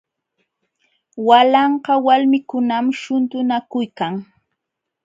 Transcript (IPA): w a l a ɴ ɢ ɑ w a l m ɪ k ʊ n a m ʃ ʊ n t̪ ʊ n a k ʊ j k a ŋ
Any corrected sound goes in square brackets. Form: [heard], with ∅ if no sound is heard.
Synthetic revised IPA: w a l [ɑ] ɴ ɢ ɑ w a l m ɪ k ʊ n a m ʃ ʊ n t̪ ʊ n a k ʊ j k a ŋ

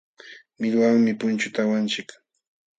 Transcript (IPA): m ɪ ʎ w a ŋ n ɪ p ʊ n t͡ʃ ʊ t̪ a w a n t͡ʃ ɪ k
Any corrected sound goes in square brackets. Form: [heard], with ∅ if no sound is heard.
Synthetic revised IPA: m ɪ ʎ w a ŋ [m] ɪ p ʊ n t͡ʃ ʊ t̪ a w a n t͡ʃ ɪ k

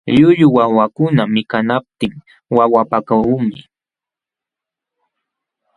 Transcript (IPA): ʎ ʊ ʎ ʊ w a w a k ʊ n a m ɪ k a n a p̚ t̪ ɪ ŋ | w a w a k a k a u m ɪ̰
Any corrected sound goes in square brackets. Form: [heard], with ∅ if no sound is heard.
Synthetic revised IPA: ʎ ʊ ʎ ʊ w a w a k ʊ n a m ɪ k a n a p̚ t̪ ɪ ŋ | w a w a [p] a k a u m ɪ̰

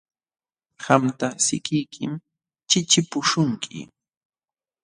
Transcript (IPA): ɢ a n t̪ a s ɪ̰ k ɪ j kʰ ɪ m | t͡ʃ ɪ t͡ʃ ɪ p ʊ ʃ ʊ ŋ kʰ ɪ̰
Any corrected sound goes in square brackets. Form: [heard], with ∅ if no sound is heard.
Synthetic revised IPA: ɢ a [m] t̪ a s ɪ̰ k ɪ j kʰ ɪ m | t͡ʃ ɪ t͡ʃ ɪ p ʊ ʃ ʊ ŋ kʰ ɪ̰

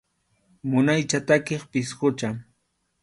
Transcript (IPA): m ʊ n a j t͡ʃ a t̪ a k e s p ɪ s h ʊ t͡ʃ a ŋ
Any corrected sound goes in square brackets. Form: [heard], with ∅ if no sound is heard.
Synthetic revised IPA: m ʊ n a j t͡ʃ a t̪ a k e [χ] p ɪ s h ʊ t͡ʃ a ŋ

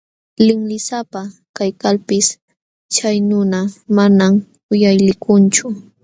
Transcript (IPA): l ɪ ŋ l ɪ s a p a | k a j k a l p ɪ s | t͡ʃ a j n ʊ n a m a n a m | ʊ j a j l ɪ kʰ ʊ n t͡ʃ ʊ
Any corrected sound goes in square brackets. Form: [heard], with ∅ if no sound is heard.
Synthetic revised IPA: l ɪ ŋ l ɪ s a p a | k a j k a l p ɪ s | t͡ʃ a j n ʊ n a m a n a m | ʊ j a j l ɪ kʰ ʊ n t͡ʃ ʊ

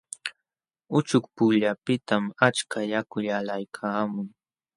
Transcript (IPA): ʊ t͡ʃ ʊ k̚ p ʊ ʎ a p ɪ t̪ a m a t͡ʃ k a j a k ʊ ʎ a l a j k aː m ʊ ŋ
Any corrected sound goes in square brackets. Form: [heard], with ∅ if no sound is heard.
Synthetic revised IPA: ʊ t͡ʃ ʊ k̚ p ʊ ʎ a p ɪ t̪ a m a t͡ʃ k a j a k ʊ ʎ a l a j [kʰ] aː m ʊ ŋ

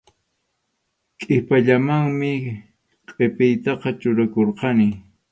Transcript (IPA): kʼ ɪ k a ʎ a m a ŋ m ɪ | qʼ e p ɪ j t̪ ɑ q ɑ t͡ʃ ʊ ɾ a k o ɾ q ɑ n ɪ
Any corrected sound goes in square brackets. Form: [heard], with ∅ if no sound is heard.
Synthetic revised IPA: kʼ ɪ [p] a ʎ a m a ŋ m ɪ | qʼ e p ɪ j t̪ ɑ q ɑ t͡ʃ ʊ ɾ a k o ɾ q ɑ n ɪ

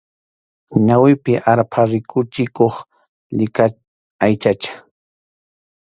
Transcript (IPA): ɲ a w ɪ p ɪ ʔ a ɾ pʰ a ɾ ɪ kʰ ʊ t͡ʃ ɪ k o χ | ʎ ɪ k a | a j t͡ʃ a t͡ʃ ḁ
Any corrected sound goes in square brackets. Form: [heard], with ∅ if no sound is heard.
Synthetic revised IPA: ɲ a w ɪ p ɪ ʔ a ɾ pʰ a ɾ ɪ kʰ ʊ t͡ʃ ɪ k o χ | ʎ ɪ k a | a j t͡ʃ a t͡ʃ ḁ

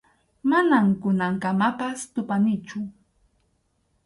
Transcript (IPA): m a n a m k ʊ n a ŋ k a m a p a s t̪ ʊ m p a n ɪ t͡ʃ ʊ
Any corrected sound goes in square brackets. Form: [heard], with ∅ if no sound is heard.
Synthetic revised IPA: m a n a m k ʊ n a ŋ k a m a p a s t̪ ʊ [∅] p a n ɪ t͡ʃ ʊ

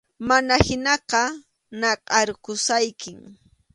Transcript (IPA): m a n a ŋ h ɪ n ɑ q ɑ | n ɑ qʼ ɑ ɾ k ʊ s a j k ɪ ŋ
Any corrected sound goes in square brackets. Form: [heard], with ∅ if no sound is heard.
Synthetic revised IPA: m a n a [∅] h ɪ n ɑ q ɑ | n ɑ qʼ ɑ ɾ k ʊ s a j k ɪ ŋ

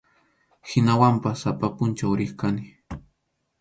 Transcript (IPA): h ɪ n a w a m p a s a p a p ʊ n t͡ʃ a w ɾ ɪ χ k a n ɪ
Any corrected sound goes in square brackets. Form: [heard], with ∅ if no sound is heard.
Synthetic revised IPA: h ɪ n a w a m p a s a p a p ʊ n t͡ʃ a w ɾ ɪ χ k a n ɪ

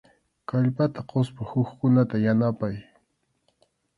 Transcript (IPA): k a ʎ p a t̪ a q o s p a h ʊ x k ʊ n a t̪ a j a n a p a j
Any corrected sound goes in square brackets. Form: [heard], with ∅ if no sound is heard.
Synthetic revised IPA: k a ʎ p a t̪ a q o s p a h ʊ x k ʊ n a t̪ a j a n a p a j

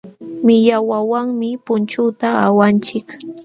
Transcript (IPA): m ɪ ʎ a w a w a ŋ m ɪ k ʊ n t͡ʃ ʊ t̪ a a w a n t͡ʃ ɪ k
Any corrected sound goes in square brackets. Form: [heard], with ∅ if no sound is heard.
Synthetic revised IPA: m ɪ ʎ a w a w a ŋ m ɪ [p] ʊ n t͡ʃ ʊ t̪ a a w a n t͡ʃ ɪ k

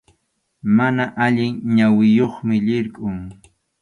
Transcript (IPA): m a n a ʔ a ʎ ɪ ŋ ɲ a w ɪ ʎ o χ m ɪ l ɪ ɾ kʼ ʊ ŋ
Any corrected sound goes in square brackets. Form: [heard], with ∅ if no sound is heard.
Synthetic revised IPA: m a n a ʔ a ʎ ɪ ŋ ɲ a w ɪ [j] o χ m ɪ [ʎ] ɪ ɾ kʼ ʊ ŋ

